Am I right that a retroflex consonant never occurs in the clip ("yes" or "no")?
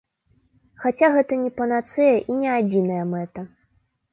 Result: yes